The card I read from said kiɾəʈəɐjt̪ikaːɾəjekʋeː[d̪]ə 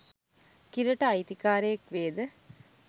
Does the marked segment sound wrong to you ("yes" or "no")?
no